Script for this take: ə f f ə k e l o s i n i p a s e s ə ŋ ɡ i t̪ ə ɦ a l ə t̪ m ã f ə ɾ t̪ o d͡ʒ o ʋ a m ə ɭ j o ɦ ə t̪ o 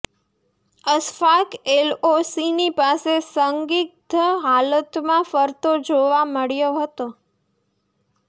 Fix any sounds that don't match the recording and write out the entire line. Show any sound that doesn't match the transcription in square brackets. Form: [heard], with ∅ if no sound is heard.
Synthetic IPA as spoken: ə [s] f [a] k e l o s i n i p a s e s ə ŋ ɡ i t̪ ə ɦ a l ə t̪ m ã f ə ɾ t̪ o d͡ʒ o ʋ a m ə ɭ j o ɦ ə t̪ o